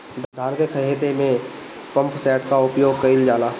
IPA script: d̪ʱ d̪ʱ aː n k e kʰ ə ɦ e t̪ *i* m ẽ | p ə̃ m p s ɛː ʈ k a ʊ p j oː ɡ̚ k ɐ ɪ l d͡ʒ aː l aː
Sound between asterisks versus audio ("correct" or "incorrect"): incorrect